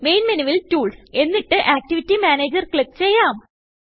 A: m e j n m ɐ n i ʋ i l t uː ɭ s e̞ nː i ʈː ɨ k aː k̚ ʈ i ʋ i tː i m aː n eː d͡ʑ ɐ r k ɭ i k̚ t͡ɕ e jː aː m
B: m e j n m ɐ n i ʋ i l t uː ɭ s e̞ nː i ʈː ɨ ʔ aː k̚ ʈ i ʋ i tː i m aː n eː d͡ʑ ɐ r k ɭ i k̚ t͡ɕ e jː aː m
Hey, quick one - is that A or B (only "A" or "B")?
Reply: B